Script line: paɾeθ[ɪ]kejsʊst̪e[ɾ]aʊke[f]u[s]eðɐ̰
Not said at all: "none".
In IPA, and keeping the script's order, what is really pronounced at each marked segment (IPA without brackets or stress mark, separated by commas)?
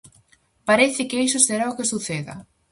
ɪ, ɾ, s, θ